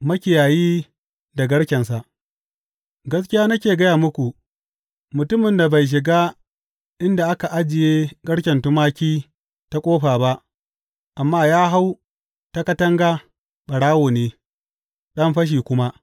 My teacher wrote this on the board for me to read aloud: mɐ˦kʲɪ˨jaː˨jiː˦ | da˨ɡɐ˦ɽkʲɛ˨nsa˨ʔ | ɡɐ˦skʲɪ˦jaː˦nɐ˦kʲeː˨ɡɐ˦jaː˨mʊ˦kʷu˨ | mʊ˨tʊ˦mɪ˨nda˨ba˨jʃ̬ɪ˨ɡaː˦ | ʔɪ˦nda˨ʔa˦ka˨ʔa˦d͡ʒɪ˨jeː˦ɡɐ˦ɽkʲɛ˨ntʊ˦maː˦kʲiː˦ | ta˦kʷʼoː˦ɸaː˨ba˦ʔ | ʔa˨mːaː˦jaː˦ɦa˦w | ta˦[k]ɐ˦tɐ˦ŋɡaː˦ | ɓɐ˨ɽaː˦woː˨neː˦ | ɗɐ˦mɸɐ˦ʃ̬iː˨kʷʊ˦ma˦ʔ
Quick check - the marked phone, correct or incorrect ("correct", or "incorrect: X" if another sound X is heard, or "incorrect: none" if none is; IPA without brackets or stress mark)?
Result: correct